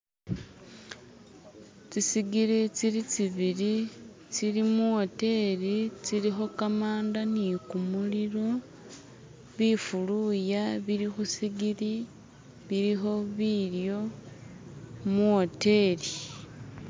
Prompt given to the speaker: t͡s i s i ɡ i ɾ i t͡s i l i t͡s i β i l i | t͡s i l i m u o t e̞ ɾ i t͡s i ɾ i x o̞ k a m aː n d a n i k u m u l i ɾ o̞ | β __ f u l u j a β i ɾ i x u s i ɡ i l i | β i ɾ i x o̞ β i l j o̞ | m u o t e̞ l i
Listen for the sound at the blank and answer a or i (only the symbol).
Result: i